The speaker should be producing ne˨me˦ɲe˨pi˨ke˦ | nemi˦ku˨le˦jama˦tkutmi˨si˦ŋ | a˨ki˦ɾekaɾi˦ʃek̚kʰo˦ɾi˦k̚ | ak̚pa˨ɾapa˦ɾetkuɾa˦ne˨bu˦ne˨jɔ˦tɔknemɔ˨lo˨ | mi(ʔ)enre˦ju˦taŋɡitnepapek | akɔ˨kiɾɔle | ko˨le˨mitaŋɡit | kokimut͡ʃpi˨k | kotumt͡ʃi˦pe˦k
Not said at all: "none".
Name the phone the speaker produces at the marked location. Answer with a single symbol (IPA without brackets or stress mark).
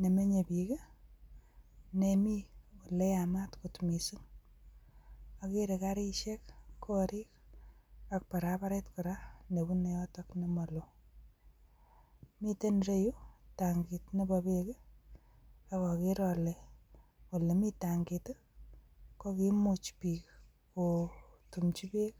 t